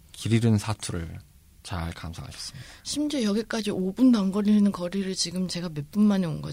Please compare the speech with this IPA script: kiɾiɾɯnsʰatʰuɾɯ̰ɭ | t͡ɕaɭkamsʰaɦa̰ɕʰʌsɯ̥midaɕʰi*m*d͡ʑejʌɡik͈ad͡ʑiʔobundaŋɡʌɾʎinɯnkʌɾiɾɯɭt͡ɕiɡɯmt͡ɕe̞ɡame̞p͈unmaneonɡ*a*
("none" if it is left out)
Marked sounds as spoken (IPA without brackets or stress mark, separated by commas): m, ʌ